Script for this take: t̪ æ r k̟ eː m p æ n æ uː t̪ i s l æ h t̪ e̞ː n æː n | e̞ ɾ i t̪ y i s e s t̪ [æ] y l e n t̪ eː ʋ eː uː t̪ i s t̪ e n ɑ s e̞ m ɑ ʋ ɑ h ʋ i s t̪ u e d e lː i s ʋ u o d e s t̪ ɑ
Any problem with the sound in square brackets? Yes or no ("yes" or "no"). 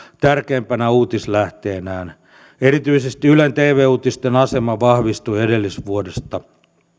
yes